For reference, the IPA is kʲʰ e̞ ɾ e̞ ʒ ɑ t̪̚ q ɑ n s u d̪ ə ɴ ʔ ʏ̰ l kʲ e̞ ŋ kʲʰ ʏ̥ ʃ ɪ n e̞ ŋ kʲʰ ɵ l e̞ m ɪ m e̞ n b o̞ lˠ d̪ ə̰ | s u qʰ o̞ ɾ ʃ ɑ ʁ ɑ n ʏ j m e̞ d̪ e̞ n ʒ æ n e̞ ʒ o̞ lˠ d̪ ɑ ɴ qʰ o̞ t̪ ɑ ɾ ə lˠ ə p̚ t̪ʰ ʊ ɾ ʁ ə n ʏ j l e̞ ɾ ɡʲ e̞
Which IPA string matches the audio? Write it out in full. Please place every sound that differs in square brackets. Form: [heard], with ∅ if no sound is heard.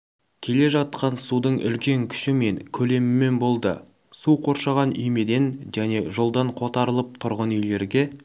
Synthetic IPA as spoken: kʲʰ e̞ [l] e̞ ʒ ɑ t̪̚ q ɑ n s u d̪ ə ɴ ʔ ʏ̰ l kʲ e̞ ŋ kʲʰ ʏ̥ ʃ ɪ [m] e̞ ŋ kʲʰ ɵ l e̞ m ɪ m e̞ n b o̞ lˠ d̪ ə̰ | s u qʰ o̞ ɾ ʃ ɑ ʁ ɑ n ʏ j m e̞ d̪ e̞ n ʒ æ n e̞ ʒ o̞ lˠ d̪ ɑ ɴ qʰ o̞ t̪ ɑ ɾ ə lˠ ə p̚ t̪ʰ ʊ ɾ ʁ ə n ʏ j l e̞ ɾ ɡʲ e̞